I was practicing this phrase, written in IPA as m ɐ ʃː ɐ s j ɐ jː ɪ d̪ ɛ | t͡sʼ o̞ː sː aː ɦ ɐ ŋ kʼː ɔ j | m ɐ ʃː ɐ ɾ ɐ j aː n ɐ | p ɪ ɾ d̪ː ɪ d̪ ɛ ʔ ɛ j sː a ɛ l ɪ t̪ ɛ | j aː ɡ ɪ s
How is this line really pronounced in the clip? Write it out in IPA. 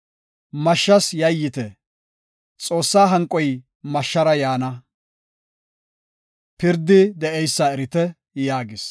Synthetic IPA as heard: m ɐ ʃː ɐ s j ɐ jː ɪ t̪ ɛ | t͡sʼ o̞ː sː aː ɦ ɐ ŋ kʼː ɔ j | m ɐ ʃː ɐ ɾ ɐ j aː n ɐ | p ɪ ɾ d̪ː ɪ d̪ ɛ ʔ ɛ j sː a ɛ ɾ ɪ t̪ ɛ | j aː ɡ ɪ s

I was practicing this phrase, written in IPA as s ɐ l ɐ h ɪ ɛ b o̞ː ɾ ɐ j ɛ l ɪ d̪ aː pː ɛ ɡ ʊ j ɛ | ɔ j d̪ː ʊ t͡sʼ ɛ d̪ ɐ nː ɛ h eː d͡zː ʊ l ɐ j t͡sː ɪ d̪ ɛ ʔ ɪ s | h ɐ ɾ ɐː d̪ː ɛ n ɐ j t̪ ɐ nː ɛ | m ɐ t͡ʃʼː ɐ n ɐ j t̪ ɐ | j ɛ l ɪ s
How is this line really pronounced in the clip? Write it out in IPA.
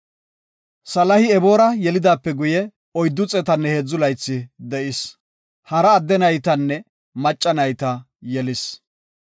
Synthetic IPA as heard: s ɐ l ɐ h ɪ ɛ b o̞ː ɾ ɐ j ɛ l ɪ d̪ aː pː ɛ ɡ ʊ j ɛ | ɔ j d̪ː ʊ t͡sʼ ɛ t̪ ɐ nː ɛ h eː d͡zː ʊ l ɐ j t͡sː ɪ d̪ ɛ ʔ ɪ s | h ɐ ɾ ɐː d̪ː ɛ n ɐ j t̪ ɐ nː ɛ | m ɐ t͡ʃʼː ɐ n ɐ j t̪ ɐ | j ɛ l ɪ s

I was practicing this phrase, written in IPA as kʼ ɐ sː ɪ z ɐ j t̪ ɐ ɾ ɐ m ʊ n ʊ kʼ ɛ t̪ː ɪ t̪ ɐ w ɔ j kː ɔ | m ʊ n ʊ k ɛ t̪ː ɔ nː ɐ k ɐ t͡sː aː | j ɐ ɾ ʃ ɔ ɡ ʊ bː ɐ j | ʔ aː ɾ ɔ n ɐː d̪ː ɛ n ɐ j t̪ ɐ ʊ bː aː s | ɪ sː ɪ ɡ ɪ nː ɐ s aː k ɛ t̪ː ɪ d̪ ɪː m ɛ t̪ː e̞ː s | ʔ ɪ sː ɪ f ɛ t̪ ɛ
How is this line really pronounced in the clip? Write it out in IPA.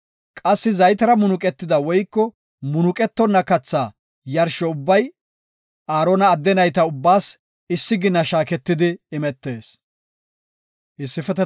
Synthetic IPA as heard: kʼ ɐ sː ɪ z ɐ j t̪ ɐ ɾ ɐ m ʊ n ʊ kʼ ɛ t̪ː ɪ d̪ ɐ w ɔ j kː ɔ | m ʊ n ʊ kʼ ɛ t̪ː ɔ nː ɐ k ɐ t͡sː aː | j ɐ ɾ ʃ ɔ ʊ bː ɐ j | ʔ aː ɾ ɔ n ɐː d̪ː ɛ n ɐ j t̪ ɐ ʊ bː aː s | ɪ sː ɪ ɡ ɪ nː ɐ ʃ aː k ɛ t̪ː ɪ d̪ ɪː m ɛ t̪ː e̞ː s | ʔ ɪ sː ɪ f ɛ t̪ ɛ

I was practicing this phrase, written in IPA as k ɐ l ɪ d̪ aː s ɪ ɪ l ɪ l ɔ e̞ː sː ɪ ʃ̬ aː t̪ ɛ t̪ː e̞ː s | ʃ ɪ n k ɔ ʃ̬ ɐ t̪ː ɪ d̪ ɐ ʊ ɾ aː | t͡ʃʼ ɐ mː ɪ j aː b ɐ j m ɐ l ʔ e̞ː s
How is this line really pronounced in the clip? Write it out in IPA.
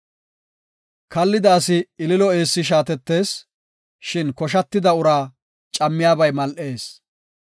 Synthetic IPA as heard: k ɐ lː ɪ d̪ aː s ɪ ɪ l ɪ l ɔ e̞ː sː ɪ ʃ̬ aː t̪ ɛ t̪ː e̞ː s | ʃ ɪ n k ɔ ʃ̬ ɐ t̪ː ɪ d̪ ɐ ʊ ɾ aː | t͡ʃʼ ɐ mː ɪ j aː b ɐ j m ɐ l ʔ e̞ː s

